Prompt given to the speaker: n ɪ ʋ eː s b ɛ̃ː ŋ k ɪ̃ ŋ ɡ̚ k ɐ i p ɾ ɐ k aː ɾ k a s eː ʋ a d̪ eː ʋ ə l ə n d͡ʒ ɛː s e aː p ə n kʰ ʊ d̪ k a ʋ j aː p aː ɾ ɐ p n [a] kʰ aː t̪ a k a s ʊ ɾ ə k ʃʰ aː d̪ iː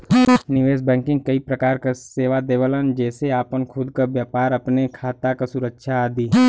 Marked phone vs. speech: incorrect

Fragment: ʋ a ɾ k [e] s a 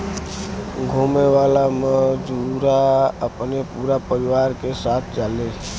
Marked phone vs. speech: correct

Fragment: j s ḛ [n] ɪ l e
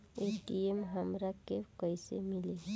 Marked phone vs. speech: incorrect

